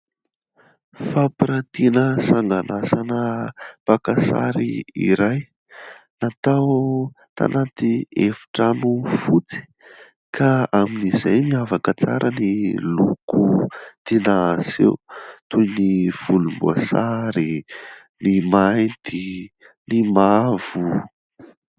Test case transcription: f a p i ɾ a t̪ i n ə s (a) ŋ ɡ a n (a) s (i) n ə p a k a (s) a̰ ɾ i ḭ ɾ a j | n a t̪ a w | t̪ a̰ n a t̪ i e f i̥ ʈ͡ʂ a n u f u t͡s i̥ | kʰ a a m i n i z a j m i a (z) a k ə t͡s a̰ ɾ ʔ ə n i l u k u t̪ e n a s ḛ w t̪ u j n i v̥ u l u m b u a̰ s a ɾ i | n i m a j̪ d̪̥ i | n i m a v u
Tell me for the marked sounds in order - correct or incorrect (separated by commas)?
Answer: correct, correct, incorrect, correct, incorrect